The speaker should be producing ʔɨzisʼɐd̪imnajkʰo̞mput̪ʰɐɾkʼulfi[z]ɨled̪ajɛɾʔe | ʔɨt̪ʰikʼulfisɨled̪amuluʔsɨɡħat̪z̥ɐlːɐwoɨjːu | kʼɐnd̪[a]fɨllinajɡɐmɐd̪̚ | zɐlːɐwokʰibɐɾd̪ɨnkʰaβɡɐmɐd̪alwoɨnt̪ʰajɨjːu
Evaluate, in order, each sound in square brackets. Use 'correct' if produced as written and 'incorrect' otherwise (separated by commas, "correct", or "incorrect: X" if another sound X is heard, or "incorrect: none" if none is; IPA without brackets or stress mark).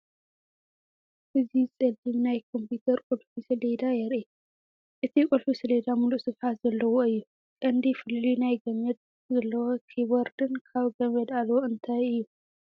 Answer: incorrect: s, incorrect: i